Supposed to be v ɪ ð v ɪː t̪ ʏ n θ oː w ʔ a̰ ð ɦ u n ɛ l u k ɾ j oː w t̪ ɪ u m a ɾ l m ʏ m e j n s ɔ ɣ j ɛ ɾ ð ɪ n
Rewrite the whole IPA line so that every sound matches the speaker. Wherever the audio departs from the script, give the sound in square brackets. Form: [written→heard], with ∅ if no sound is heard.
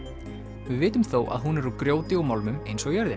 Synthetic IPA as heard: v ɪ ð v ɪː t̪ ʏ [n→m] θ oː w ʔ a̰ ð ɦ u n ɛ [l→ɾ] u k ɾ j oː w t̪ ɪ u m a [ɾ→∅] l m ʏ m e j n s ɔ ɣ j [ɛ→œ] ɾ ð ɪ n